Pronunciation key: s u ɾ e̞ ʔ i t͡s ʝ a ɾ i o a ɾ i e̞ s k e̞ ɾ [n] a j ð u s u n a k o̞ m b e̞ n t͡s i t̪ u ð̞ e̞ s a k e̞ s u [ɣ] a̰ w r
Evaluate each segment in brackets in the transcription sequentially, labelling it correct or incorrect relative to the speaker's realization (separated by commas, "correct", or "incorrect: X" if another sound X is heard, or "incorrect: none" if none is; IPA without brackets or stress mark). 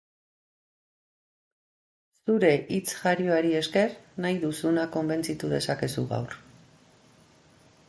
correct, correct